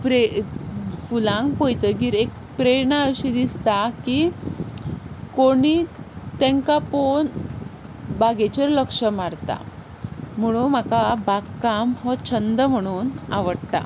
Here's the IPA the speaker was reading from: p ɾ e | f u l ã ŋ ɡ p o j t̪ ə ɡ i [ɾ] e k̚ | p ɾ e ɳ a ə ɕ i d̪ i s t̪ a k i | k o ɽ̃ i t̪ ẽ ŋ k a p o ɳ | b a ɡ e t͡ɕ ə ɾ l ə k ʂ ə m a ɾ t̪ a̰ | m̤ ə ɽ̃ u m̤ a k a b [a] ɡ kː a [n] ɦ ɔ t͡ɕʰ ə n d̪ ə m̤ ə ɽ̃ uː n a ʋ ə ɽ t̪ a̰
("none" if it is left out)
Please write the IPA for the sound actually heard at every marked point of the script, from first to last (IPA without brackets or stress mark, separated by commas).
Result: ɾ, a, m